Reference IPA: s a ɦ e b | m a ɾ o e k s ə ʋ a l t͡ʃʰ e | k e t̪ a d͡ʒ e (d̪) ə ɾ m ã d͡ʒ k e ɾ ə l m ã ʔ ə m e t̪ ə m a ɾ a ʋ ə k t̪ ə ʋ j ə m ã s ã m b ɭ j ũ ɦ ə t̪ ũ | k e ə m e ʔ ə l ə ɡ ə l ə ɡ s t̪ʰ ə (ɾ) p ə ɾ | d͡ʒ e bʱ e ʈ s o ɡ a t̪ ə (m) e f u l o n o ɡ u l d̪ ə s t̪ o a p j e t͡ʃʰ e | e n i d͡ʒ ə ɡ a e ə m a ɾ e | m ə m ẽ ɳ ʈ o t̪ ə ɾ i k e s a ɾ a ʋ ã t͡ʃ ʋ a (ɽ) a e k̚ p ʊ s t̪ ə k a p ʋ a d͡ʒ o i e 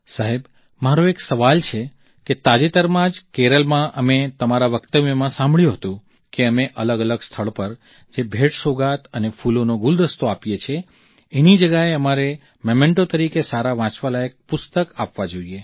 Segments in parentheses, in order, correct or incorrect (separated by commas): incorrect, incorrect, incorrect, incorrect